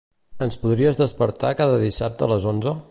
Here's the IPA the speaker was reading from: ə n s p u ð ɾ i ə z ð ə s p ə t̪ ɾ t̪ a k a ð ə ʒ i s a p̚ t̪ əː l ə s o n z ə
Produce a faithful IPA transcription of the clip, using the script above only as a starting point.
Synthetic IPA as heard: ə n s p u ð ɾ i ə z ð ə s p ə ɾ t̪ a k a ð ə ð i s a p̚ t̪ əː l ə z o n z ə